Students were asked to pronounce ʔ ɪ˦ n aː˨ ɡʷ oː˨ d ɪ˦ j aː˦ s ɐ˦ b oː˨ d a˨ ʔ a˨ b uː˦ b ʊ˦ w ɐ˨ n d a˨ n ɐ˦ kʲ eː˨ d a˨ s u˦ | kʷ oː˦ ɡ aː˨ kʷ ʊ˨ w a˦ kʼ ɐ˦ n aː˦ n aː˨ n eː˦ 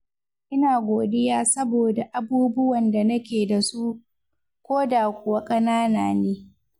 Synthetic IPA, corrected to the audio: ʔ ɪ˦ n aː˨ ɡʷ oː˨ d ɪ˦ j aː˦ s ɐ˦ b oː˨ d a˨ ʔ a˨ b uː˦ b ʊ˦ w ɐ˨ n d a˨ n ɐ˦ kʲ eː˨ d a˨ s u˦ | kʷ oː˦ d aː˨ kʷ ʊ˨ w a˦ kʼ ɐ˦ n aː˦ n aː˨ n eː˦

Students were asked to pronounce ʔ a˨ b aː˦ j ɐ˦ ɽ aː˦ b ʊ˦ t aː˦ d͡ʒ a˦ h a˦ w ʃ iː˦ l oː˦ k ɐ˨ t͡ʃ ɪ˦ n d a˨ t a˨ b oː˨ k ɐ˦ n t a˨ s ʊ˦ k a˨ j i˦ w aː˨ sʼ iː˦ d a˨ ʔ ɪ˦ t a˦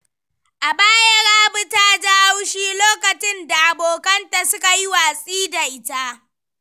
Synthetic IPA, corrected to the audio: ʔ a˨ b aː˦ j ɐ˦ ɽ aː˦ b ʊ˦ t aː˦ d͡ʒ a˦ h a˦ w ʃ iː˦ l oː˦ k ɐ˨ t͡ʃ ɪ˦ n d a˨ ʔ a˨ b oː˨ k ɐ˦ n t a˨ s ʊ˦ k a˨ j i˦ w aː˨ sʼ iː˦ d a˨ ʔ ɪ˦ t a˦

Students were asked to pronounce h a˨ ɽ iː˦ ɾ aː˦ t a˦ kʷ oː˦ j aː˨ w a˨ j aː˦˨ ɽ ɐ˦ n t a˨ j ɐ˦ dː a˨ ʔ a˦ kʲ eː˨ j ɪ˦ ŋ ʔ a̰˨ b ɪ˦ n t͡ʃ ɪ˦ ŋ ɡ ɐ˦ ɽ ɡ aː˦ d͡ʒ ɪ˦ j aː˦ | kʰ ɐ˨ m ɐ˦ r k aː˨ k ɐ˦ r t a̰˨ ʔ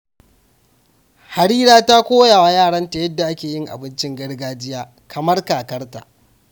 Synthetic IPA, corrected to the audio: h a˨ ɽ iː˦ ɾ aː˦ t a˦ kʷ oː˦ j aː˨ w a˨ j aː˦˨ ɽ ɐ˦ n t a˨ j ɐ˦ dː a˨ ʔ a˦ kʲ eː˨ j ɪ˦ ŋ ʔ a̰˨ b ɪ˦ n t͡ʃ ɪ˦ ŋ ɡ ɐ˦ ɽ ɡ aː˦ d͡ʒ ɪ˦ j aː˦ | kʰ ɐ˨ m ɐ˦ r k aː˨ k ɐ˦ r t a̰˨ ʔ

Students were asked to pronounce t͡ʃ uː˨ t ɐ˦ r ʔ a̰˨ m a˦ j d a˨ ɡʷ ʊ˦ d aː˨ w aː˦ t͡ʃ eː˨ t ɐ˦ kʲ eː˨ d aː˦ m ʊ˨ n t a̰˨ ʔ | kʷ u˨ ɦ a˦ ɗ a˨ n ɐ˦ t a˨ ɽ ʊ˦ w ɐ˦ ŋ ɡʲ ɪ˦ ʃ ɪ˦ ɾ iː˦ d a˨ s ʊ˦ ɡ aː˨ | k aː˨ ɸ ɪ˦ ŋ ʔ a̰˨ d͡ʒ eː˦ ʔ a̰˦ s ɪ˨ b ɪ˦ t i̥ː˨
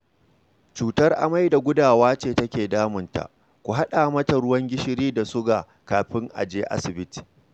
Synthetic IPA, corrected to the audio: t͡ʃ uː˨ t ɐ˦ r ʔ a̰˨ m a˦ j d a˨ ɡʷ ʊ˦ d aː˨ w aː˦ t͡ʃ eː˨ t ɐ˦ kʲ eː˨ d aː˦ m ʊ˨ n t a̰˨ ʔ | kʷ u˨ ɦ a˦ ɗ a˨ m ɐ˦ t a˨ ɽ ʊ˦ w ɐ˦ ŋ ɡʲ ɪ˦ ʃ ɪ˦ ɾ iː˦ d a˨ s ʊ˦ ɡ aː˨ | k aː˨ ɸ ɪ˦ ŋ ʔ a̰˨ d͡ʒ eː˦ ʔ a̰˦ s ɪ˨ b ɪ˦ t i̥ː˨

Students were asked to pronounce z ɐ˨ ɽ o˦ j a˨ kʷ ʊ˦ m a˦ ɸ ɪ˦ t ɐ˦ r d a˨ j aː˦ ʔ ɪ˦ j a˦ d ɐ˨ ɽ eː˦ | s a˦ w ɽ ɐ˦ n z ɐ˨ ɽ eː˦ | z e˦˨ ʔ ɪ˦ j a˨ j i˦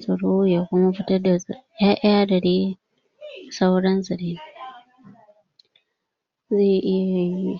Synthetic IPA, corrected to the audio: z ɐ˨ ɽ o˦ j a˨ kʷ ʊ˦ m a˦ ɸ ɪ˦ t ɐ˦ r d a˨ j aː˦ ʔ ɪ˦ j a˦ d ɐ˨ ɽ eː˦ | s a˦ w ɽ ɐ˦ n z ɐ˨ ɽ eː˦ | z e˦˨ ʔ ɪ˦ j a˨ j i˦

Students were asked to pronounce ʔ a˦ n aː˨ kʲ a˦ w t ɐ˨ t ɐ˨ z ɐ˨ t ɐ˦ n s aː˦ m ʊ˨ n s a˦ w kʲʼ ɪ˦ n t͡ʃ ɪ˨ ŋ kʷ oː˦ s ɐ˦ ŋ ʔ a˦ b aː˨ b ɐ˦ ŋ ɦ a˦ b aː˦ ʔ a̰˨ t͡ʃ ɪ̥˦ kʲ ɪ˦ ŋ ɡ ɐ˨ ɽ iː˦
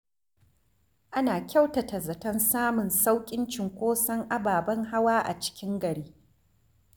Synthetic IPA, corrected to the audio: ʔ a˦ n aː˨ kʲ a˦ w t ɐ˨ t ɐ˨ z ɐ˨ t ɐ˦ n s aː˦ m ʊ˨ n s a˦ w kʲʼ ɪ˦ n t͡ʃ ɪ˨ ŋ kʷ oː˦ s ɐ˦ ŋ ʔ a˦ b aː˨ b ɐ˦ ŋ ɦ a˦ w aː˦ ʔ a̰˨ t͡ʃ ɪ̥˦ kʲ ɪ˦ ŋ ɡ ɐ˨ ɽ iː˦

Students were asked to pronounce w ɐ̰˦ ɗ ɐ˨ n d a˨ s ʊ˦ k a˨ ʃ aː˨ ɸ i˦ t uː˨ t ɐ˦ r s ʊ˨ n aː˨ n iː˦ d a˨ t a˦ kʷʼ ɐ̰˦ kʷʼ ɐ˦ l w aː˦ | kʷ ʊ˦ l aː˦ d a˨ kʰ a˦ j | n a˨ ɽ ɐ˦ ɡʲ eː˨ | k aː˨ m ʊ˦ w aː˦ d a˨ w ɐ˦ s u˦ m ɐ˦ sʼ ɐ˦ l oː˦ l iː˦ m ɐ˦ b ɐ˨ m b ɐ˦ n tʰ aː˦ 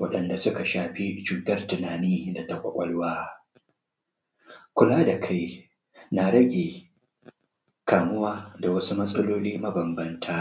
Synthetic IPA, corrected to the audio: w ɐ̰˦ ɗ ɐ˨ n d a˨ s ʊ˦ k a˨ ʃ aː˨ ɸ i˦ t͡ʃ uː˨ t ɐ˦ r t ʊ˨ n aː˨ n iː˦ d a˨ t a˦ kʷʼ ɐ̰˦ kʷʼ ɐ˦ l w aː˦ | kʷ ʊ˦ l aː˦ d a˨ kʰ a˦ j | n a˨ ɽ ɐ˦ ɡʲ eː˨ | k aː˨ m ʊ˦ w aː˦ d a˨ w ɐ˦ s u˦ m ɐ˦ sʼ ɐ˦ l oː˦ l iː˦ m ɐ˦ b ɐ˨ m b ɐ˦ n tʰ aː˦

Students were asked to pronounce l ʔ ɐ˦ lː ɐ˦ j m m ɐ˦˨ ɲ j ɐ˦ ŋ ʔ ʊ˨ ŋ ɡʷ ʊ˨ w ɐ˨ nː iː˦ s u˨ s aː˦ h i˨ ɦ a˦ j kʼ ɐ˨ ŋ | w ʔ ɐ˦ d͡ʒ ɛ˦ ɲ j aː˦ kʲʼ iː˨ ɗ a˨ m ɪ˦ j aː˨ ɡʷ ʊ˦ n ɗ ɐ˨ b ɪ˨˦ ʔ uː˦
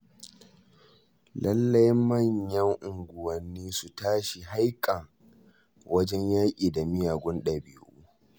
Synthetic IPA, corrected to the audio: l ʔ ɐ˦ lː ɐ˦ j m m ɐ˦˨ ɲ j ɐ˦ ŋ ʔ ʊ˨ ŋ ɡʷ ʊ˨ w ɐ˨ nː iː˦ s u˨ t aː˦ ʃ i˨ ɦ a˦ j kʼ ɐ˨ ŋ | w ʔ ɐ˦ d͡ʒ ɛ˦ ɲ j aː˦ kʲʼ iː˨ d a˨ m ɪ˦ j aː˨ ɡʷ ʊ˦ n ɗ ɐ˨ b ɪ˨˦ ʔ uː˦

